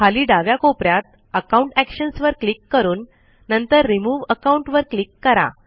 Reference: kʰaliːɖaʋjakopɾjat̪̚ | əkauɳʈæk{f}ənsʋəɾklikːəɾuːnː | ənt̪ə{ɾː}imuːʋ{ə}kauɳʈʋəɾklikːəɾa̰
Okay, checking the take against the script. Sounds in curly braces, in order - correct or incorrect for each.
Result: incorrect: ɕ, correct, correct

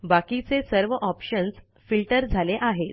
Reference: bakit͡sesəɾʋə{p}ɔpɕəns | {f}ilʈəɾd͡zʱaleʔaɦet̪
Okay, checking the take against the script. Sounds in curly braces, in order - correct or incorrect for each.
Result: incorrect: ʔ, correct

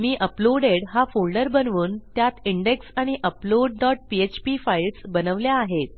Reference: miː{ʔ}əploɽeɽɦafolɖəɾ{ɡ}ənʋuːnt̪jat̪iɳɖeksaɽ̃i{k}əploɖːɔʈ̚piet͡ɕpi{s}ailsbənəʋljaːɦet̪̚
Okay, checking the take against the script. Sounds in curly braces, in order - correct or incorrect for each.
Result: correct, incorrect: b, incorrect: ʔ, incorrect: f

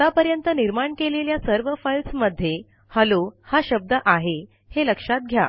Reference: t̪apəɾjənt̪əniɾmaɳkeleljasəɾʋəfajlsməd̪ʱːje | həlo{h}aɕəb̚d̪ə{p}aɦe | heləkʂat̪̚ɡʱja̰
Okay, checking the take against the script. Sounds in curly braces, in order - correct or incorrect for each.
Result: correct, incorrect: ʔ

